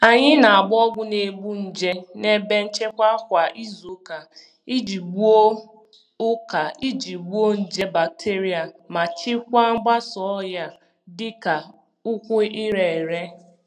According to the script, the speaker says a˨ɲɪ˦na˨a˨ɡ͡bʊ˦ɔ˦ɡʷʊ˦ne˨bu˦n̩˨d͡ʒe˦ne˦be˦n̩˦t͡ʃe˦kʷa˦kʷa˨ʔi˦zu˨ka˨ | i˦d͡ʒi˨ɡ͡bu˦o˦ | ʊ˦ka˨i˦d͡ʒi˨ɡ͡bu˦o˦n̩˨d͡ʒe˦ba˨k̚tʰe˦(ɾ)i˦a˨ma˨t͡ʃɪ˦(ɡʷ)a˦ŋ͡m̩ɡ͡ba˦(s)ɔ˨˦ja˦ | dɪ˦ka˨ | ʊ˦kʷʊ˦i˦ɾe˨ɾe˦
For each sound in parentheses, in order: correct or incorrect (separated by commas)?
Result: correct, incorrect, correct